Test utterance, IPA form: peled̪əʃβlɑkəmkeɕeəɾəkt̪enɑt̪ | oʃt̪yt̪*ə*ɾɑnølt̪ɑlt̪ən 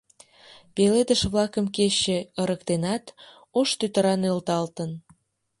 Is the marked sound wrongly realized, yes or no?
no